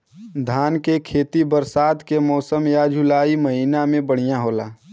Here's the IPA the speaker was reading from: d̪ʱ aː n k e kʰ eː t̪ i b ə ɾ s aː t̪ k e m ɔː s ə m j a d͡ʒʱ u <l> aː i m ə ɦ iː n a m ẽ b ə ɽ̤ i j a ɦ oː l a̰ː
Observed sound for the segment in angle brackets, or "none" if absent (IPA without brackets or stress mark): l